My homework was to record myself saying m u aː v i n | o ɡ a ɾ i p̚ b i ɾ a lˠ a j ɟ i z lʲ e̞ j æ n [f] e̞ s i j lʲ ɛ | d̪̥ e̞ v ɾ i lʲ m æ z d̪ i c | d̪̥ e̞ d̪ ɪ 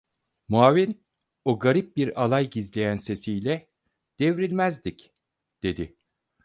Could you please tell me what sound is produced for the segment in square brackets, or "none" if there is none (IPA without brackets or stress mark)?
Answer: s